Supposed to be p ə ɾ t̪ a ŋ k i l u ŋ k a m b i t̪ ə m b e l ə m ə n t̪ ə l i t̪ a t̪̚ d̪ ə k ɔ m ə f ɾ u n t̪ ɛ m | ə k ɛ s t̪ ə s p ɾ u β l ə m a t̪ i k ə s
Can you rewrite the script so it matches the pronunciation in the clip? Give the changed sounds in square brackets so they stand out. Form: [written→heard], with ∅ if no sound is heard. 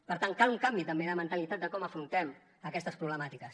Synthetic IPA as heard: p ə ɾ t̪ a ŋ k [i→a] l u ŋ k a m b i t̪ ə m b e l ə m ə n t̪ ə l i t̪ a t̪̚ d̪ ə k ɔ m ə f ɾ u n t̪ ɛ m | ə k ɛ s t̪ ə s p ɾ u β l ə m a t̪ i k ə s